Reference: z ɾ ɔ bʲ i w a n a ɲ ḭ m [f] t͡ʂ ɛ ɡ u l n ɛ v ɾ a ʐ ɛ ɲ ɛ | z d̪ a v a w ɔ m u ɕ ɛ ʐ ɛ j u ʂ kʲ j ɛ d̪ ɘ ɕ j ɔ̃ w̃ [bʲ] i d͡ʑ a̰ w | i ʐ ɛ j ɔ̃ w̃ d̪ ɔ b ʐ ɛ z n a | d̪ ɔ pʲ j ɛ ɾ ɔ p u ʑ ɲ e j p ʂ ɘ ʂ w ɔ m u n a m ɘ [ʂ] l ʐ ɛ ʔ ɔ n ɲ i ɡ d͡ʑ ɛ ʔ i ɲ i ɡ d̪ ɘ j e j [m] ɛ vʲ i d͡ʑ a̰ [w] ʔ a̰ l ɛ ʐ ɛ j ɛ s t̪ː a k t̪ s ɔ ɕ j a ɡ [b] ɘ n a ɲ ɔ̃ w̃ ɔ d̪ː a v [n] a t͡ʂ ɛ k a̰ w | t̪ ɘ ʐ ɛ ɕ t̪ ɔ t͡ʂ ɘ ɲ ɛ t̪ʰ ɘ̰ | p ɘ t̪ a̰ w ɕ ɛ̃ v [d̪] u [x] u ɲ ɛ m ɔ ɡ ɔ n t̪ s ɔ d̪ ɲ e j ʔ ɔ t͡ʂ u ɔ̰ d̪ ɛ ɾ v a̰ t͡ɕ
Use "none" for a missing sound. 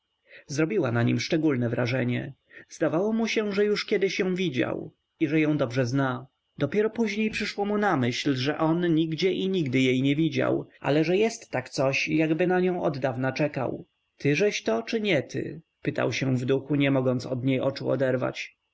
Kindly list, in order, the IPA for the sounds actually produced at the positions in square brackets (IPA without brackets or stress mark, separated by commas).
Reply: ʂ, vʲ, ɕ, ɲ, w, b, n, d̪, x